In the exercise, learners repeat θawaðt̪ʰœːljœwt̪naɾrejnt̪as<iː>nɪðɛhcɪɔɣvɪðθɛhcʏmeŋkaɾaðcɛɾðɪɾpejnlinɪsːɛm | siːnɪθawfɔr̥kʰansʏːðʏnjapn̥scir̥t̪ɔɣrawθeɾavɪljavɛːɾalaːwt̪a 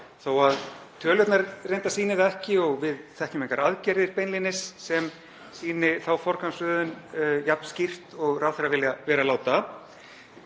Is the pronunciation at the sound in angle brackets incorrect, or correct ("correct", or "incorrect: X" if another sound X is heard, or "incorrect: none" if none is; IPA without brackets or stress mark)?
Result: correct